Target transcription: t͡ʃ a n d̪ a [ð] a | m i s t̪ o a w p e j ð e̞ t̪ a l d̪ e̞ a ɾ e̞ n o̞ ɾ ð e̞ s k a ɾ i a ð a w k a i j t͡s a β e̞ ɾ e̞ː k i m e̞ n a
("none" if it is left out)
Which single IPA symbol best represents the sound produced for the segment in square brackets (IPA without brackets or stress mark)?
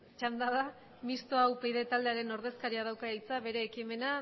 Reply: ð